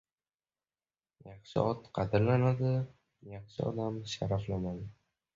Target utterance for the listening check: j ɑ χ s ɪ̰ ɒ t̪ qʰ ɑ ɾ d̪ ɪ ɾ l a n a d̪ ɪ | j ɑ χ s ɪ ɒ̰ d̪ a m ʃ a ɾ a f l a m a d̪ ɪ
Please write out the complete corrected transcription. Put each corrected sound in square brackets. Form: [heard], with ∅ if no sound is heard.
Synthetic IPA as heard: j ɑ χ [ʃ] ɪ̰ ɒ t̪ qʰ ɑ [∅] d̪ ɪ ɾ l a n a d̪ ɪ | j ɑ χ [ʃ] ɪ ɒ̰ d̪ a m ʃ a ɾ a f l a m a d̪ ɪ